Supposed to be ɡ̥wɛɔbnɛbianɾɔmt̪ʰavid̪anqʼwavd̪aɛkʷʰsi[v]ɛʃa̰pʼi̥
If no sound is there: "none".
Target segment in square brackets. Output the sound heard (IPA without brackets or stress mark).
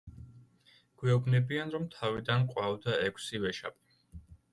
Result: v